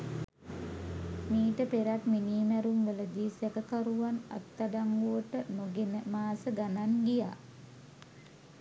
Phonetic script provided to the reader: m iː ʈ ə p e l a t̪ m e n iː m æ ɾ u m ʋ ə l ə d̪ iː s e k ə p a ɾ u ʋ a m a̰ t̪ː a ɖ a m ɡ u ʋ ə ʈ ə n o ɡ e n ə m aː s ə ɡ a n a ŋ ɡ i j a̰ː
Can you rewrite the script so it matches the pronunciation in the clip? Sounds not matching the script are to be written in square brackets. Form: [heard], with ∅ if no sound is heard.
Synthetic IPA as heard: m iː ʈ ə p e [ɾ] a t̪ m [i] n iː m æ ɾ u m ʋ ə l ə d̪ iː s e k ə [k] a ɾ u ʋ a [n] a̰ t̪ː a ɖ a [ŋ] ɡ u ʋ ə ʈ ə n o ɡ e n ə m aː s ə ɡ a n a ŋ ɡ i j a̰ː